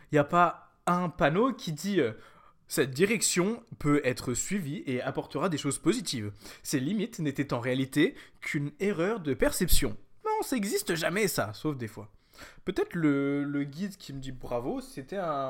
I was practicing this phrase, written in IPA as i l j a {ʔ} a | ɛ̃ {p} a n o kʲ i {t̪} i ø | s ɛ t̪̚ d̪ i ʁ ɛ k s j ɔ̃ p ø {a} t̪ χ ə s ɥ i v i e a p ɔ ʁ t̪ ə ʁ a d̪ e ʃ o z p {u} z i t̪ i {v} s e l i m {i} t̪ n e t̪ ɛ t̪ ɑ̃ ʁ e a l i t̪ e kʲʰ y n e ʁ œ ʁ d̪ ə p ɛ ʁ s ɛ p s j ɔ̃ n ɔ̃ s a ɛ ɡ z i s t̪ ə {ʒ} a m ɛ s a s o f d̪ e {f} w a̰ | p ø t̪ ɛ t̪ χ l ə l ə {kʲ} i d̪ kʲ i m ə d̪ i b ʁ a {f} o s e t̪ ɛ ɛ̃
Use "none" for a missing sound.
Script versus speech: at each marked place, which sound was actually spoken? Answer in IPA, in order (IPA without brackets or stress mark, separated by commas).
p, p, d̪, ɛ, o, v, i, ʒ, f, ɡʲ, v